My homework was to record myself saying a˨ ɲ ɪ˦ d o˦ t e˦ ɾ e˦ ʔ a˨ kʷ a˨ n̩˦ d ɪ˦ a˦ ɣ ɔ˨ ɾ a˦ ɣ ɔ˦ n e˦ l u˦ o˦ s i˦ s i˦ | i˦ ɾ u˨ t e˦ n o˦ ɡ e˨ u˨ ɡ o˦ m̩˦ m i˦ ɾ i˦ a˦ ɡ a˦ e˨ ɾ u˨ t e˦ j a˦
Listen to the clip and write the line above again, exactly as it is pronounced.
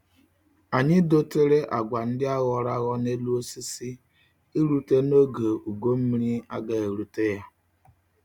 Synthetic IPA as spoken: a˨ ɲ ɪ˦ d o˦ t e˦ ɾ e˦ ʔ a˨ ɡʷ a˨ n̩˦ d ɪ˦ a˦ ɣ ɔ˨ ɾ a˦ ɣ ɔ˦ n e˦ l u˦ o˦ s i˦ s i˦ | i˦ ɾ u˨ t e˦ n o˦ ɡ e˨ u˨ ɡ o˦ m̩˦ m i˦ ɾ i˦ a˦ ɡ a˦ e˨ ɾ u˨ t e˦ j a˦